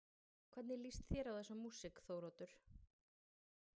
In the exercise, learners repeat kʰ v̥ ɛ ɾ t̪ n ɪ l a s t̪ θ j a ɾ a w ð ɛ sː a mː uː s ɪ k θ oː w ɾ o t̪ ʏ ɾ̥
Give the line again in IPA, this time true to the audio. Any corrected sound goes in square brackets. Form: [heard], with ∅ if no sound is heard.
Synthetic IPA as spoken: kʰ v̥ ɛ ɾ t̪ n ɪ l [i] s t̪ θ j [ɛ] ɾ a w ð ɛ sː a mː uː s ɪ k θ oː w ɾ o t̪ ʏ ɾ̥

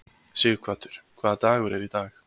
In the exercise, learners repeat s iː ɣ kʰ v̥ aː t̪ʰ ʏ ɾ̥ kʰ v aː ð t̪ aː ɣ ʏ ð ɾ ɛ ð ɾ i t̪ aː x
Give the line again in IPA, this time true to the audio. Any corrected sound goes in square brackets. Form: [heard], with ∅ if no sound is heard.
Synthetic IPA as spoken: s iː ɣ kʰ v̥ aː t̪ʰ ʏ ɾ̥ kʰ v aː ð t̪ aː ɣ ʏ [∅] ɾ ɛ [∅] ɾ i t̪ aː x

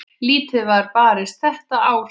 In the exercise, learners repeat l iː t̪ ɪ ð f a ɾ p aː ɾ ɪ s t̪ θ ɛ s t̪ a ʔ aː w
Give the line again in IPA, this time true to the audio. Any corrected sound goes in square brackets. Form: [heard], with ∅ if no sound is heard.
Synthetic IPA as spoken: l iː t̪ ɪ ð [v] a ɾ p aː ɾ ɪ s t̪ θ ɛ [h] t̪ a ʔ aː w

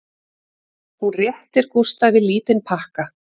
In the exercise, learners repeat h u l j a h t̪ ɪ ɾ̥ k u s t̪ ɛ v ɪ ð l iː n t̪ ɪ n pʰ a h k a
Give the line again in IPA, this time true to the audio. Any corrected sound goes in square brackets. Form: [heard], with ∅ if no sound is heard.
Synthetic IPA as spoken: h u [r] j [ɛ] h t̪ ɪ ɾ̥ k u s t̪ [a] v ɪ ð l iː [∅] t̪ ɪ n pʰ a h k a

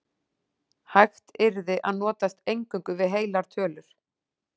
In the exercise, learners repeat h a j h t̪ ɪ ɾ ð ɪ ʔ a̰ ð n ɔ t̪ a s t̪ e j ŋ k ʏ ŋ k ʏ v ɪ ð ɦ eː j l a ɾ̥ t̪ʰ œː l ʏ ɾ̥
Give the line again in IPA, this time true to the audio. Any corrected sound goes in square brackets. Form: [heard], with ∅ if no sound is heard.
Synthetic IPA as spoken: h a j [x] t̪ ɪ ɾ ð ɪ ʔ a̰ ð n [ɔː] t̪ a s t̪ e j ŋ k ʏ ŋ k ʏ v ɪ ð ɦ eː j l a ɾ̥ t̪ʰ œː l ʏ ɾ̥

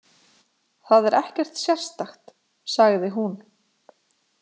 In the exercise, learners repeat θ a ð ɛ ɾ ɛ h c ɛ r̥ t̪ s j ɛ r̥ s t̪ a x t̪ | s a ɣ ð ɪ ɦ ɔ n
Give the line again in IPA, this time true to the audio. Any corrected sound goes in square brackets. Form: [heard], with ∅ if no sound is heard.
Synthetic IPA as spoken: θ a ð ɛ ɾ ɛ h c ɛ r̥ t̪ s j ɛ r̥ s t̪ a x t̪ | s a ɣ ð ɪ ɦ [u] n

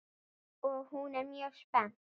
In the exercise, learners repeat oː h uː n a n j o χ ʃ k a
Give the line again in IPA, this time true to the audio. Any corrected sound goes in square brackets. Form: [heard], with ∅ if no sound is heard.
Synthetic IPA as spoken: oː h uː n a [m] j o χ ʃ [p] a

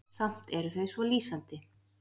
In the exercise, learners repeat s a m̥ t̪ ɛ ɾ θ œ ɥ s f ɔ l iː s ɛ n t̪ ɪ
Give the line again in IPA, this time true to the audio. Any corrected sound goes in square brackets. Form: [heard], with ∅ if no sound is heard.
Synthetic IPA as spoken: s a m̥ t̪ ɛ ɾ θ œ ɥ s [v] ɔ l iː s [a] n t̪ ɪ

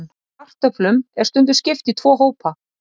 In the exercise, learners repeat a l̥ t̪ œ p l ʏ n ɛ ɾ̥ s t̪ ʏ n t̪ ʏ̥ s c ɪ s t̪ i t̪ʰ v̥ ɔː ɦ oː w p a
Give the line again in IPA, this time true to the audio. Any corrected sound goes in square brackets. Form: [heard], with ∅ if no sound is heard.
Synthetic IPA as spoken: a [r̥] t̪ œ p l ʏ [m] ɛ ɾ̥ s t̪ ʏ n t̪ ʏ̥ s c ɪ [f] t̪ i t̪ʰ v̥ ɔː ɦ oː w p a

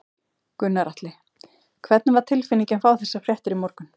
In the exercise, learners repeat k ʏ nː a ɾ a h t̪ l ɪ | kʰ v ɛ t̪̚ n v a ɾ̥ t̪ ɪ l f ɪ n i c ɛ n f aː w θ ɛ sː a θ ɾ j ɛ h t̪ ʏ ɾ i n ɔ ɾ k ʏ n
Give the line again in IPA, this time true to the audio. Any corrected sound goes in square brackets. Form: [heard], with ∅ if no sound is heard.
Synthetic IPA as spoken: k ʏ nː a ɾ a h t̪ l ɪ | kʰ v ɛ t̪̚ n v a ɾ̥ [t̪ʰ] ɪ l f ɪ n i c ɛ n f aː w θ ɛ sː a [f] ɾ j ɛ h t̪ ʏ ɾ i [m] ɔ ɾ k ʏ n

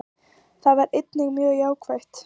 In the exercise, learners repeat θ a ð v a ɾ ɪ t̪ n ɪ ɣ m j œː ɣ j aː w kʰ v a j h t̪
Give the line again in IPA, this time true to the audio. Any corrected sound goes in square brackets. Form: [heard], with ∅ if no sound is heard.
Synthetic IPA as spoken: θ a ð v a ɾ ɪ t̪ n ɪ ɣ m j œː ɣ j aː w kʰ v a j h t̪

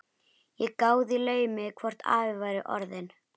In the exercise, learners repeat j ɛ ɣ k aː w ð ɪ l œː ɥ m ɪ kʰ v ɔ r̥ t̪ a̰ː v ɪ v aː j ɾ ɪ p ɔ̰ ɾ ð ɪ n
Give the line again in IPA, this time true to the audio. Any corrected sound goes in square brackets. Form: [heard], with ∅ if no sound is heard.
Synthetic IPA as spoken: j ɛ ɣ k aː w ð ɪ l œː ɥ m ɪ kʰ v ɔ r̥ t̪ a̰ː v ɪ v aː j ɾ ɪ [ʔ] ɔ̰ ɾ ð ɪ n

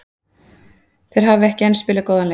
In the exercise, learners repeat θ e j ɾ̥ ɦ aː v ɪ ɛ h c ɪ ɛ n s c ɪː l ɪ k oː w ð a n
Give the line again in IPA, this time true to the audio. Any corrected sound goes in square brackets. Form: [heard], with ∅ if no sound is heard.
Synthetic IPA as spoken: θ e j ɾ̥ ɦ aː v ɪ ɛ h c ɪ ɛ n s [p] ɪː l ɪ k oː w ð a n

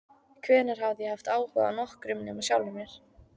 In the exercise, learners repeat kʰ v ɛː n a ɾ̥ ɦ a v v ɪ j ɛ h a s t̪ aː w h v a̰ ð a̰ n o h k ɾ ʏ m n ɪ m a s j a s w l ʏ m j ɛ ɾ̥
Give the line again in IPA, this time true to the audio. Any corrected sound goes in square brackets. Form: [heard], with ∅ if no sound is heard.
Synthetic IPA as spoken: kʰ v ɛː n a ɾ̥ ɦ a v [ð] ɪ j ɛ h a [f] t̪ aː w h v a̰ ð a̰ n [ɔ] h k ɾ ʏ m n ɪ m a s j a [∅] w l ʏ m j ɛ ɾ̥

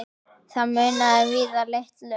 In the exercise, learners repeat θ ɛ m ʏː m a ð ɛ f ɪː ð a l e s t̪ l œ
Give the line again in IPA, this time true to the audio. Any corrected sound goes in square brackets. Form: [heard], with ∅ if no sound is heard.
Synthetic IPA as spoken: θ [a] m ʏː [n] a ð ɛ [v] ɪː ð a l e [h] t̪ l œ

